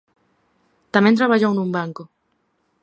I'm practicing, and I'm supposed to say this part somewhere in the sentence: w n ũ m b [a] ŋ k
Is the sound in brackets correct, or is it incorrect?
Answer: correct